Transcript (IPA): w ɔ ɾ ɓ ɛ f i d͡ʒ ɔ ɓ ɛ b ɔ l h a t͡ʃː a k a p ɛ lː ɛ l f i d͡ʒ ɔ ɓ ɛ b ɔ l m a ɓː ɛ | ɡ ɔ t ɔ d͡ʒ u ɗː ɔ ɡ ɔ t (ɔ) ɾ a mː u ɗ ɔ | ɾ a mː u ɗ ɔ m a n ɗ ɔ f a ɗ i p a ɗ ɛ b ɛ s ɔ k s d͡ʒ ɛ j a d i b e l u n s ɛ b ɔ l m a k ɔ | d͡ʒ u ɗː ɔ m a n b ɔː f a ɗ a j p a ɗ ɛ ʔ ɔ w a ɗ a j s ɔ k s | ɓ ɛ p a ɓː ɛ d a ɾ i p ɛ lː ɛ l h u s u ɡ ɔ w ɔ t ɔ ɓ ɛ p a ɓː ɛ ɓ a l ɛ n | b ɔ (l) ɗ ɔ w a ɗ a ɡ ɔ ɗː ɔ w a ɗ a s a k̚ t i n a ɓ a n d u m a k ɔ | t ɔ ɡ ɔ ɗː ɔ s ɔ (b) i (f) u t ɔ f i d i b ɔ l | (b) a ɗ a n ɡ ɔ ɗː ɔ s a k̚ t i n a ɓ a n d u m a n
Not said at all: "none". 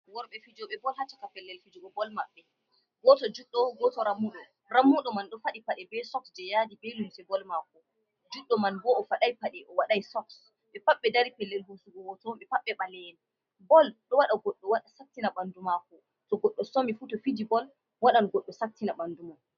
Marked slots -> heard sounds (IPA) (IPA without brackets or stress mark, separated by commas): ɔ, l, m, f, w